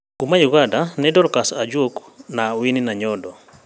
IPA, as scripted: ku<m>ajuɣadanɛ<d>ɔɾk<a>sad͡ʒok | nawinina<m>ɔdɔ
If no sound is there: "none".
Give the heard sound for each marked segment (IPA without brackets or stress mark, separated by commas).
m, d, a, ɲ